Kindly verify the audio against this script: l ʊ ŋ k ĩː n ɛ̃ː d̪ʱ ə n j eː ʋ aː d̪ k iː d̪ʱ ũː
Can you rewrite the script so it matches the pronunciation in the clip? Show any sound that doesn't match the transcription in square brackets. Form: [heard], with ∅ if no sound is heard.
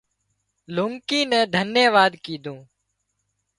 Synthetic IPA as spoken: l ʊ ŋ k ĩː n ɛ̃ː d̪ʱ ə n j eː ʋ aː d̪ k iː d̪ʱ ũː